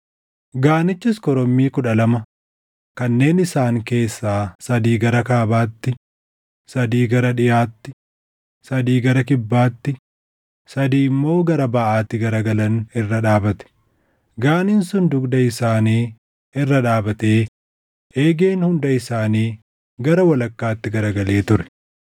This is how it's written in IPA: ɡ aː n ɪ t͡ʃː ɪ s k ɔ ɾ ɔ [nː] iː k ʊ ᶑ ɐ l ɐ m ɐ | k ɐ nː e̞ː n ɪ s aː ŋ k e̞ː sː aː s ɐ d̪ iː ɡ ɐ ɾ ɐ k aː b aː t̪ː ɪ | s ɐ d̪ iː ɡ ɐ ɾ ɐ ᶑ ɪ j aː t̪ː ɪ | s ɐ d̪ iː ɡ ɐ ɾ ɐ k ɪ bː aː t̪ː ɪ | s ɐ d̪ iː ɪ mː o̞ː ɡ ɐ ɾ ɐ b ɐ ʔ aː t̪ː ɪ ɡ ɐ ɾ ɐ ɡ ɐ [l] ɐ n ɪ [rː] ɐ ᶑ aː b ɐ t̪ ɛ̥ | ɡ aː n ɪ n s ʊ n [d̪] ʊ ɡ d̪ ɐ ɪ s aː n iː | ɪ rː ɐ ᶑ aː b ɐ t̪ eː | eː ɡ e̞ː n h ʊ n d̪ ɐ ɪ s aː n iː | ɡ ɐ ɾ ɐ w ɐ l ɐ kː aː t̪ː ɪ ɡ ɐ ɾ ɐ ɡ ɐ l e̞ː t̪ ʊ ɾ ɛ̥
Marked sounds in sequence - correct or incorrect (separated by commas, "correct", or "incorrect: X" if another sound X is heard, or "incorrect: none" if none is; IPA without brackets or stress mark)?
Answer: incorrect: mː, correct, correct, correct